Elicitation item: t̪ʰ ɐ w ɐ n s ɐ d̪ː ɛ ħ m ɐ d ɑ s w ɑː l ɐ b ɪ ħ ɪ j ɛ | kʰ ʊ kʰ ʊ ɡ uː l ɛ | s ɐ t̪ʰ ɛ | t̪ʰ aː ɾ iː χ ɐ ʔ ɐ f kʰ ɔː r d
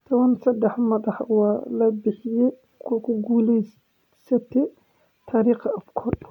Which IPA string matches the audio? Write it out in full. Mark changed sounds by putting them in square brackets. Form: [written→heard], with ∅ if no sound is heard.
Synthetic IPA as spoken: t̪ʰ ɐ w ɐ n s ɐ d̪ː ɛ ħ m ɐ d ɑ [s→ħ] w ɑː l ɐ b ɪ ħ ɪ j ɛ | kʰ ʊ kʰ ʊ ɡ uː l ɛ | s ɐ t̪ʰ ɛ | t̪ʰ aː ɾ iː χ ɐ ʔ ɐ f kʰ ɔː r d